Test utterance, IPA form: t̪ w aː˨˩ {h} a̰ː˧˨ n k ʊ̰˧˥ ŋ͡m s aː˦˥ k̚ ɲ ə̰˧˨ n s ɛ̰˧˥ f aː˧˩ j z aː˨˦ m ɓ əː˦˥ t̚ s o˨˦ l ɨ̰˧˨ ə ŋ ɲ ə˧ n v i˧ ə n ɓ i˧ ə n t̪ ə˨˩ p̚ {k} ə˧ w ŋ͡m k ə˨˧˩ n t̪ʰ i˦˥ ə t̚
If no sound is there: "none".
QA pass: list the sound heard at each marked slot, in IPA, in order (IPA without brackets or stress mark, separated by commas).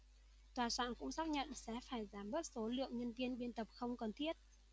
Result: s, x